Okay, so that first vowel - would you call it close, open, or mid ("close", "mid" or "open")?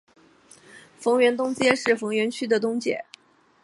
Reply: mid